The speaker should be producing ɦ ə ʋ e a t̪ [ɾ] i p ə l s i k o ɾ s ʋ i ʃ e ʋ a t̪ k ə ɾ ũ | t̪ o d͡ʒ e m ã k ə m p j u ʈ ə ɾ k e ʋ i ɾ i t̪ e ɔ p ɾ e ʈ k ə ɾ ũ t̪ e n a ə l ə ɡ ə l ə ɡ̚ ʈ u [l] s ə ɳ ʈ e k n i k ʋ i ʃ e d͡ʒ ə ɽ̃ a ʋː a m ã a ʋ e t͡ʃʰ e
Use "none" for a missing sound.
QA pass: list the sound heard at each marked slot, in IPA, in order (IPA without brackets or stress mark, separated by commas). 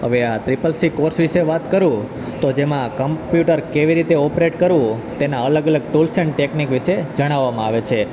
ɾ, l